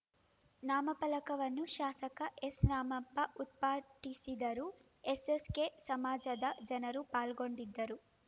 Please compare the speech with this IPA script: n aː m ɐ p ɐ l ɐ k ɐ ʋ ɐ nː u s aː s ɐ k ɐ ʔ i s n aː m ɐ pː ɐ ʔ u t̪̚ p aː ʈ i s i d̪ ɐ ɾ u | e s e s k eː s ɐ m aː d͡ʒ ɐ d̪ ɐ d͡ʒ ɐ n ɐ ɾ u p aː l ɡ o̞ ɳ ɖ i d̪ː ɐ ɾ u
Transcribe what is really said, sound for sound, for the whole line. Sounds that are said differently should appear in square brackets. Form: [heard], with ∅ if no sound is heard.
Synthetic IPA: n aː m ɐ p ɐ l ɐ k ɐ ʋ ɐ nː u [ʃ] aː s ɐ k ɐ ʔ [e] s n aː m ɐ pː ɐ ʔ u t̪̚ p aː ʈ i s i d̪ ɐ ɾ u | e s e s k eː s ɐ m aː d͡ʒ ɐ d̪ ɐ d͡ʒ ɐ n ɐ ɾ u p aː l ɡ o̞ ɳ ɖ i d̪ː ɐ ɾ u